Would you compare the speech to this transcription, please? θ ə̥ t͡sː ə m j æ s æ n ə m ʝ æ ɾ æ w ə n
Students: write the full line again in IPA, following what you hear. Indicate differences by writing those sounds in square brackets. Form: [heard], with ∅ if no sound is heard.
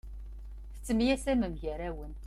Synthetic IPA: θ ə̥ t͡sː ə m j æ s æ [m] ə m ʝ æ ɾ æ w ə n

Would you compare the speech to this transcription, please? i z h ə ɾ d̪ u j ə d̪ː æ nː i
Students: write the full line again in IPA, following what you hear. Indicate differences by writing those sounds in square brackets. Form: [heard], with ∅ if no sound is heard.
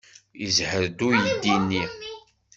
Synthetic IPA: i z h ə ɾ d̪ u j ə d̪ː [i] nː i

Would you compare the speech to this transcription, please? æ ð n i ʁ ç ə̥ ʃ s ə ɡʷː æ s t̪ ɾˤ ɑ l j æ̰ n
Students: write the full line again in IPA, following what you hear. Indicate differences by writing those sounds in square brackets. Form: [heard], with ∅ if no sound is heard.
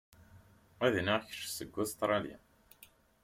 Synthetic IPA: æ ð n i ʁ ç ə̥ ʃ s ə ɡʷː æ s t̪ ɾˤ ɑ l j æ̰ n

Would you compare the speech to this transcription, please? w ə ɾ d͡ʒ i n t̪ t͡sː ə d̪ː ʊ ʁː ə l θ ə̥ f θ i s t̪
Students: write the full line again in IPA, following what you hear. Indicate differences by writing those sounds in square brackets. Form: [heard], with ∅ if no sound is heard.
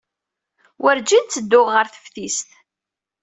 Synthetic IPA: w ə ɾ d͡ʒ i n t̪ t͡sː ə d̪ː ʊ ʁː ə [ɾ] θ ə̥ f θ i s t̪

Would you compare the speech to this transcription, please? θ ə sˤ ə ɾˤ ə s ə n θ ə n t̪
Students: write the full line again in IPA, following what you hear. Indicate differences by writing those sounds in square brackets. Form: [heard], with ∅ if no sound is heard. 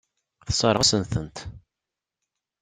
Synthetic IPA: θ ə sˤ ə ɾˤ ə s ə n θ ə n t̪

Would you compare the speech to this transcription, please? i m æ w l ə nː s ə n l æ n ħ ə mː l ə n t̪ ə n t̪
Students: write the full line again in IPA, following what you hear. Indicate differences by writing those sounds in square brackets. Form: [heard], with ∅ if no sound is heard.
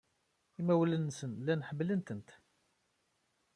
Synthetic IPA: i m æ w l ə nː s ə n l æ n ħ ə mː l ə n t̪ ə n t̪

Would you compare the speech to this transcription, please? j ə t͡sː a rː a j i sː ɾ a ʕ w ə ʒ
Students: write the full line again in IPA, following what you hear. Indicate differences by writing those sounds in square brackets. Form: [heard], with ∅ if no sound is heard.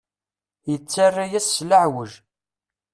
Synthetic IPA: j ə t͡sː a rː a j [æ] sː [l] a ʕ w ə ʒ

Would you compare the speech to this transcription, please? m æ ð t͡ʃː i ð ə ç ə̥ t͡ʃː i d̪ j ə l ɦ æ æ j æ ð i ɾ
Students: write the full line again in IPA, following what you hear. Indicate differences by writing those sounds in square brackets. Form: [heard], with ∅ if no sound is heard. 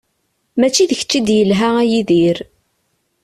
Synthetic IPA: m æ [∅] t͡ʃː i ð ə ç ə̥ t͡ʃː i d̪ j ə l ɦ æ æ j [i] ð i ɾ

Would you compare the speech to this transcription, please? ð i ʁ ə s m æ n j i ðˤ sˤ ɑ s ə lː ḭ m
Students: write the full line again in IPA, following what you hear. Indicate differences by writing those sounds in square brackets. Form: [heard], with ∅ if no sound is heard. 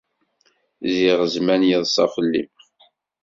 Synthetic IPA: [z] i ʁ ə [z] m æ n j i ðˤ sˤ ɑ [f] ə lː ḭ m

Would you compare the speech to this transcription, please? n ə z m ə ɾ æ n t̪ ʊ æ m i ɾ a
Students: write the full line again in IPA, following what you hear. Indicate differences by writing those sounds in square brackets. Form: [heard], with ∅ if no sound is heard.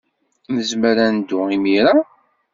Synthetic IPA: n ə z m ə ɾ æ n [d̪] ʊ [i] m i ɾ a

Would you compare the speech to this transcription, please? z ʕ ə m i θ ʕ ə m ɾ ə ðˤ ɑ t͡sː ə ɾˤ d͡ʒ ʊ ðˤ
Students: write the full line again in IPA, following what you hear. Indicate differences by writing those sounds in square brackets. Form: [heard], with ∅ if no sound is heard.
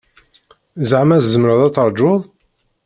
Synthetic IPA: z ʕ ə m [æ] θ [z] ə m ɾ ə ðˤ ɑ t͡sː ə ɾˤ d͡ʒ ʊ ðˤ

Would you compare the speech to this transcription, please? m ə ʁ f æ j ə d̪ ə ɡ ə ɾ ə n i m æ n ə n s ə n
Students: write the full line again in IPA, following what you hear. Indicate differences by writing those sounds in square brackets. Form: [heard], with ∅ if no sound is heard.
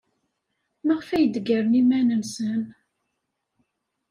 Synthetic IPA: m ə ʁ f æ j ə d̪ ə ɡ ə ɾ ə n i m æ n ə n s ə n

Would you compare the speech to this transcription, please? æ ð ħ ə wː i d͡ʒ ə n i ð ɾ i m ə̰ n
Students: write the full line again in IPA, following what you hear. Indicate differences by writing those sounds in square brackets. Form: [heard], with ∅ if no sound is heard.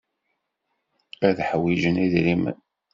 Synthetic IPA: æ ð ħ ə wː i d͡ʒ ə n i ð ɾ i m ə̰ n

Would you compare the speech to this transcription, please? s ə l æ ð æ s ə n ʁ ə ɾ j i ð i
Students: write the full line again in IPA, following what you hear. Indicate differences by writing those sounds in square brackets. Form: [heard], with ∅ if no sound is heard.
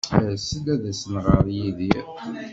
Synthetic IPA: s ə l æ ð æ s ə n ʁ ə ɾ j i ð i

